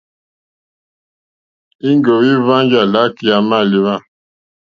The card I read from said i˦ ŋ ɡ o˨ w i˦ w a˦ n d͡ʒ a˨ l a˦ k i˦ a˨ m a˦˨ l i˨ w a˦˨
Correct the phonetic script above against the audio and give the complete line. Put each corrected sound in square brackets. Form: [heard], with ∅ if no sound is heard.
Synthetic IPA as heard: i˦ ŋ ɡ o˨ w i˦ [v] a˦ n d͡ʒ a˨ l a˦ k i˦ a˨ m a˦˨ l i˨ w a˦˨